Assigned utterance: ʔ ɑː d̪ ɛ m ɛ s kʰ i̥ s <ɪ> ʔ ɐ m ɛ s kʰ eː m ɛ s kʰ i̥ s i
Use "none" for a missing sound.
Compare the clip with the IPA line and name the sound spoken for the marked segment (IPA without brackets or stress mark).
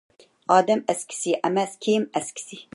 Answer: i